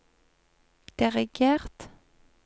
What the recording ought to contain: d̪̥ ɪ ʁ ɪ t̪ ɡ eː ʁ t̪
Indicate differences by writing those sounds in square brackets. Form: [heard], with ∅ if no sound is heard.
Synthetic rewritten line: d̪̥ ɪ ʁ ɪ [∅] ɡ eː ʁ t̪